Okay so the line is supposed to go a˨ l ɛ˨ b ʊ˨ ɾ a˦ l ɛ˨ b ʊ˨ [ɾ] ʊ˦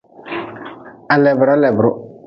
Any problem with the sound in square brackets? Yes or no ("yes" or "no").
no